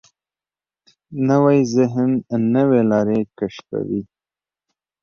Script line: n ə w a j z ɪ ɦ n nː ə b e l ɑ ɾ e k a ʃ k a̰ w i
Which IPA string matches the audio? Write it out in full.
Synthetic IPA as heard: n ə w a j z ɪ ɦ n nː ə w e l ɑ ɾ e k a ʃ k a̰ w i